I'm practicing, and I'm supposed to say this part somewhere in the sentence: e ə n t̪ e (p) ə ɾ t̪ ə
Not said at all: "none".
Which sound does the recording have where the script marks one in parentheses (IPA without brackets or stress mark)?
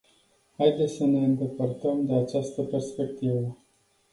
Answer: p